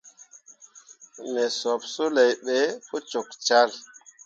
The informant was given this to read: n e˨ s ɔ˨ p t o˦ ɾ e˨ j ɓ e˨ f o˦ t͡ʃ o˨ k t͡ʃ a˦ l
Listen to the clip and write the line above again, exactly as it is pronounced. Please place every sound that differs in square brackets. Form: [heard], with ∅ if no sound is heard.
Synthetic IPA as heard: n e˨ s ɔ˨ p [s] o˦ [l] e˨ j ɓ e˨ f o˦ t͡ʃ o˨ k t͡ʃ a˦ l